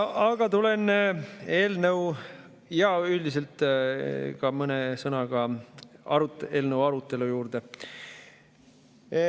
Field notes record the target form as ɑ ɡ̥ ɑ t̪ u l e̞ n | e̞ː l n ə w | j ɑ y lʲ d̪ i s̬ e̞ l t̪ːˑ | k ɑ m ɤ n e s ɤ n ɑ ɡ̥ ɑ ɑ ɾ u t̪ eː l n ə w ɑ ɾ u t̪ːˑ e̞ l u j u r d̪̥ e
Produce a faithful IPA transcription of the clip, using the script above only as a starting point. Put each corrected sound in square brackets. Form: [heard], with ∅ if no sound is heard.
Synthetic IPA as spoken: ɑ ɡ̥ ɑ t̪ u l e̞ n | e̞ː l n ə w | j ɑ y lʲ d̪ i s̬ e̞ l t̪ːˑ | k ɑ m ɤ n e s ɤ n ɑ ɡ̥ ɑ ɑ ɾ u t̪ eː l n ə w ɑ ɾ u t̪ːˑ e̞ l u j [uː] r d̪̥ e